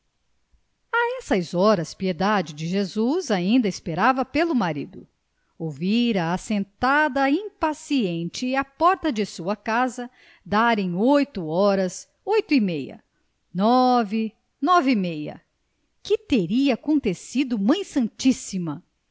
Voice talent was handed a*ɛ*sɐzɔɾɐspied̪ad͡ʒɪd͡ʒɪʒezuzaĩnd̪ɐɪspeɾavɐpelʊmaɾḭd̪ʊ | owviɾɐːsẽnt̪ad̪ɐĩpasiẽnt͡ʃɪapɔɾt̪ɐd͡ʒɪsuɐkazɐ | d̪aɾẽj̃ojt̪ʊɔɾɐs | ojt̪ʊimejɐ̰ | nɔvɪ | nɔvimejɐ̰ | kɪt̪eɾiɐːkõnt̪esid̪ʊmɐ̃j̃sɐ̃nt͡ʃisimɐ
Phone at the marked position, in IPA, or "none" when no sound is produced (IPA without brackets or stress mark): ɛ